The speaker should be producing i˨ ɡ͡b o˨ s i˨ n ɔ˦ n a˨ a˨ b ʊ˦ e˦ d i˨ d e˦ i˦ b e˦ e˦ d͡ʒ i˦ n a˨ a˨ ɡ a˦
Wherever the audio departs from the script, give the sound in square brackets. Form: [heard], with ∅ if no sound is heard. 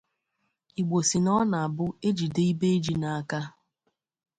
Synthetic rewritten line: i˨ ɡ͡b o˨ s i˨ n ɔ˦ n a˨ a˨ b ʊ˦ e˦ [d͡ʒ] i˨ d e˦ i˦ b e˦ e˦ d͡ʒ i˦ n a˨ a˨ [k] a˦